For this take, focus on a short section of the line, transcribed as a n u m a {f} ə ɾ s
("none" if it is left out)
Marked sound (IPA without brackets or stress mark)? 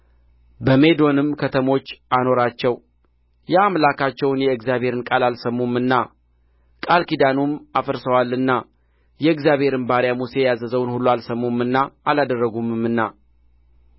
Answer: f